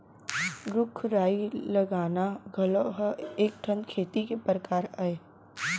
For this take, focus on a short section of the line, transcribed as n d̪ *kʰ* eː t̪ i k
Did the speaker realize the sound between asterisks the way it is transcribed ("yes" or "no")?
yes